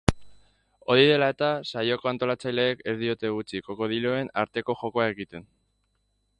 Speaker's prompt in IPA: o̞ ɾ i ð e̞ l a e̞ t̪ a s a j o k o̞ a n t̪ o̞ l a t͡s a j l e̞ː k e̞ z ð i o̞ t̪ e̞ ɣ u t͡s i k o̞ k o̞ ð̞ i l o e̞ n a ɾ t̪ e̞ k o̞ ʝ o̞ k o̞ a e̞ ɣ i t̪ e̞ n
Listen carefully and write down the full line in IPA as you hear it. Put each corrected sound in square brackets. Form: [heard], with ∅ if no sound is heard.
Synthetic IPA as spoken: o̞ ɾ i ð e̞ l a e̞ t̪ a s a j o k o̞ a n t̪ o̞ l a t͡s a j l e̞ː k e̞ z ð i o̞ t̪ e̞ ɣ u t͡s i k o̞ k o̞ ð̞ i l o e̞ n a ɾ t̪ e̞ k o̞ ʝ o̞ k o̞ a e̞ ɣ i t̪ e̞ n